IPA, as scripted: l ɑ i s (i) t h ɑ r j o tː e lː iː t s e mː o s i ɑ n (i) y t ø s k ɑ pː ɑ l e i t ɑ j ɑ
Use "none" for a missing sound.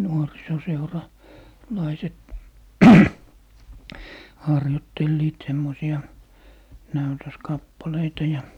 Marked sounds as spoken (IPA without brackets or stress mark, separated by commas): e, æ